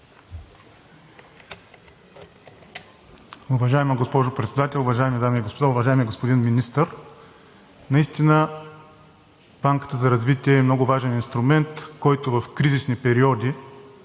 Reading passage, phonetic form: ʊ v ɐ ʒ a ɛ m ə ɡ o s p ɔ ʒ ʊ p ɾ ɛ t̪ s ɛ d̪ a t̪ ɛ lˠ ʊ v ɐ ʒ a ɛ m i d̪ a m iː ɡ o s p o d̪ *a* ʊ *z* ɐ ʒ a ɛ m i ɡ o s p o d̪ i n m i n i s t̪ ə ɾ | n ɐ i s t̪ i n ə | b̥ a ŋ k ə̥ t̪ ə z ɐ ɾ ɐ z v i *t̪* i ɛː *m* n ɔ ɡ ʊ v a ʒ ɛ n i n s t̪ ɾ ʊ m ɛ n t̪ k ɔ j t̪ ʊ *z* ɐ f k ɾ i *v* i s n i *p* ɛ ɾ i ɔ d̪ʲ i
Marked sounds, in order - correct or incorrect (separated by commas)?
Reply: correct, incorrect, correct, correct, incorrect, incorrect, correct